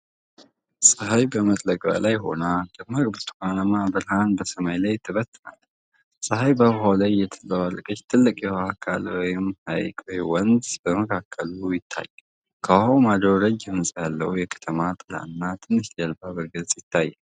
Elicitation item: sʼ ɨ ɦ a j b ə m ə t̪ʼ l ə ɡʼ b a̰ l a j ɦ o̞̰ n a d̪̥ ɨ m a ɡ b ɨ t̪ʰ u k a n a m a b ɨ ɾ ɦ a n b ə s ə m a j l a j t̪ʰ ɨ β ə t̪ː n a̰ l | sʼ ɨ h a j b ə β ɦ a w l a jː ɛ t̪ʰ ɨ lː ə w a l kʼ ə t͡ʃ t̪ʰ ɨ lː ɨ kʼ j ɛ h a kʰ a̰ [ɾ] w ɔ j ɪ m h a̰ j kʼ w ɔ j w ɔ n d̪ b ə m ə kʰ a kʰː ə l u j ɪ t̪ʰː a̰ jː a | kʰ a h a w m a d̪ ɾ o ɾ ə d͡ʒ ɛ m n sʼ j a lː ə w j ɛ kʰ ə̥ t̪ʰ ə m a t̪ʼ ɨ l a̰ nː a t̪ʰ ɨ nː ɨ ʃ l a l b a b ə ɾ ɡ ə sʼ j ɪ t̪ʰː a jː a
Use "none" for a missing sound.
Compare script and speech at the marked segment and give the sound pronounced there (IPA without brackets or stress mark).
l